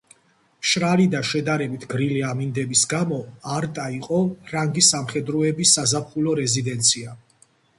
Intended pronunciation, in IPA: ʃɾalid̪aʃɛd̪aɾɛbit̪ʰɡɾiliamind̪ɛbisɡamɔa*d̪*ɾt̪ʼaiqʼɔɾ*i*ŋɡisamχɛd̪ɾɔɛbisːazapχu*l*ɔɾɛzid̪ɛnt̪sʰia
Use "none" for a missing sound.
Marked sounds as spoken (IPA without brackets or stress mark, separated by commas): none, a, l